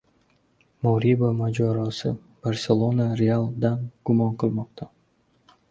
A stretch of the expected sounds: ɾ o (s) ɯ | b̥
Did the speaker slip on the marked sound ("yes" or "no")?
no